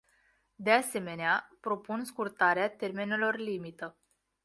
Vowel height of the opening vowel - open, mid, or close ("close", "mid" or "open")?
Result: mid